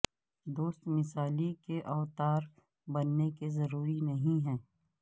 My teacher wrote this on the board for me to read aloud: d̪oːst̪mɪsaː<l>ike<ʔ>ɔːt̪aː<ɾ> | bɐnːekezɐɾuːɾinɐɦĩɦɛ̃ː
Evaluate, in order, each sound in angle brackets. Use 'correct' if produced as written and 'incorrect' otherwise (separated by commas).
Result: correct, correct, correct